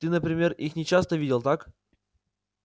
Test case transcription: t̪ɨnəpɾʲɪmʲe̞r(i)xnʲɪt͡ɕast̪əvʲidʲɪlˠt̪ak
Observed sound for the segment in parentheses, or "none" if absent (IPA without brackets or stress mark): i